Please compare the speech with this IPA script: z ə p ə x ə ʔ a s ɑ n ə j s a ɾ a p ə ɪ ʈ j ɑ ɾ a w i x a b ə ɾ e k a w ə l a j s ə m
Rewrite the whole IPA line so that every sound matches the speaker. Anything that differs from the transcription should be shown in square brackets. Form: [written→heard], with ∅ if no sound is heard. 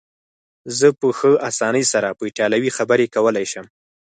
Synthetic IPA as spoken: z ə p ə x ə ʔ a s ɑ n ə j s a ɾ a p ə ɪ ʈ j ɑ [ɾ→l] a w i x a b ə ɾ e k a w ə l a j [s→ʃ] ə m